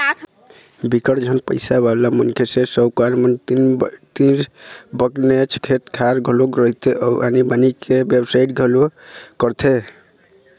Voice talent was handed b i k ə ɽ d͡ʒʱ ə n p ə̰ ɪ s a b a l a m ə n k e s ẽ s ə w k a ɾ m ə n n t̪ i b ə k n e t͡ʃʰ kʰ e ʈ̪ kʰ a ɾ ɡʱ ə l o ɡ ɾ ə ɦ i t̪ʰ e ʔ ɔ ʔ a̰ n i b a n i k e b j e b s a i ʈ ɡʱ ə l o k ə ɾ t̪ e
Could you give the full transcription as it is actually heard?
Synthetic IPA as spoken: b i k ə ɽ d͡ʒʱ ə n p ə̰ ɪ s a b a l a m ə n kʰ e s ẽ s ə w k a ɾ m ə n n t̪ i b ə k n e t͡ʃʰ kʰ e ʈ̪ kʰ a ɾ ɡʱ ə l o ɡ ɾ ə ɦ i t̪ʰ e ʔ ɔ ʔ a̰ n i b a n i k e b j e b s a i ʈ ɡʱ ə l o k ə ɾ t̪ʰ e